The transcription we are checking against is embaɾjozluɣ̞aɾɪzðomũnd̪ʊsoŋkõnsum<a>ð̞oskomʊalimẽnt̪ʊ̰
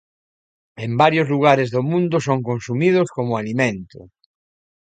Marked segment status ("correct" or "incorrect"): incorrect